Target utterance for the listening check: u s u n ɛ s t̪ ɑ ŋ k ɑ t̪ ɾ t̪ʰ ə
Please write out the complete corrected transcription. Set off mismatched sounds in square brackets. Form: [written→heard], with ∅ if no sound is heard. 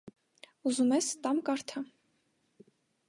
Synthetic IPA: u [s→z] u [n→m] ɛ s t̪ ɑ [ŋ→m] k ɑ [t̪→∅] ɾ t̪ʰ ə